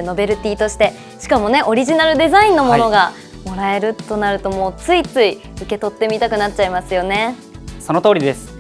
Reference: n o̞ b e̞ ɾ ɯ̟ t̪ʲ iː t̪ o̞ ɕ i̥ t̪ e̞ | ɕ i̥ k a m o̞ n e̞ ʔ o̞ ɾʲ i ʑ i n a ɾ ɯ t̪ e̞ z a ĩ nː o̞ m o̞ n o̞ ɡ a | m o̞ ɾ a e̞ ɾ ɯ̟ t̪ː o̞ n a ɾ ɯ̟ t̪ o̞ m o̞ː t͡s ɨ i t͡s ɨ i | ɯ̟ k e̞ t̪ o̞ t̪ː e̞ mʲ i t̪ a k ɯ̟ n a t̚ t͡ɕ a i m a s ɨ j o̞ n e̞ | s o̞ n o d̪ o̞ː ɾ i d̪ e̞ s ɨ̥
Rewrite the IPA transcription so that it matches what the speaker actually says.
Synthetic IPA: n o̞ b e̞ ɾ ɯ̟ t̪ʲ iː t̪ o̞ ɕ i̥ t̪ e̞ | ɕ i̥ k a m o̞ n e̞ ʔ o̞ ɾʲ i ʑ i n a ɾ ɯ d̪ e̞ z a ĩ nː o̞ m o̞ n o̞ ɡ a | m o̞ ɾ a e̞ ɾ ɯ̟ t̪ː o̞ n a ɾ ɯ̟ t̪ o̞ m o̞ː t͡s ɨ i t͡s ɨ i | ɯ̟ k e̞ t̪ o̞ t̪ː e̞ mʲ i t̪ a k ɯ̟ n a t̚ t͡ɕ a i m a s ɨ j o̞ n e̞ | s o̞ n o t̪ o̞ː ɾ i d̪ e̞ s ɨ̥